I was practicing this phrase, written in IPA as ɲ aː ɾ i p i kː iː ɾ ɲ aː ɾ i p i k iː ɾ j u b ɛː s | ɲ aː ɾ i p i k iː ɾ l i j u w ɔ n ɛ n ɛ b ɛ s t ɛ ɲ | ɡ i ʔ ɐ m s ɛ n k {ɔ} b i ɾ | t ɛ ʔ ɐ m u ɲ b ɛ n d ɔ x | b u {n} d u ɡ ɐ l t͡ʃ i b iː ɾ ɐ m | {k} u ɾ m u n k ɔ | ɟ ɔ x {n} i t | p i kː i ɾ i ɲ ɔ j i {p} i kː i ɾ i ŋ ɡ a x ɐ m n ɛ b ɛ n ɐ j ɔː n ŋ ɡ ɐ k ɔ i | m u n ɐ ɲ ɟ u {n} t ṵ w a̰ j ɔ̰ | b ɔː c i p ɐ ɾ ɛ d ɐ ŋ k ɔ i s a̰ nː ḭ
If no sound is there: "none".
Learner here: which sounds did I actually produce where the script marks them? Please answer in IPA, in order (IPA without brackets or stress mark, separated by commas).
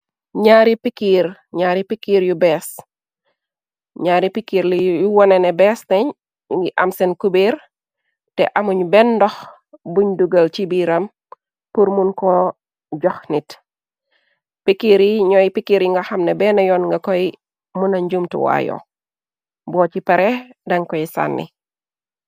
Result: u, ɲ, p, n, p, m